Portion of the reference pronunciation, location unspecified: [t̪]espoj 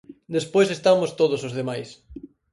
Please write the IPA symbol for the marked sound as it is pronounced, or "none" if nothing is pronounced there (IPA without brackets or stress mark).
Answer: d̪